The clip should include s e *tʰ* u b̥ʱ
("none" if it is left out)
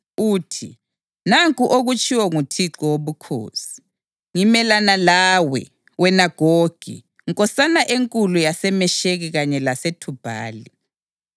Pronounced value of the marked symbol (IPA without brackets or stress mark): tʰ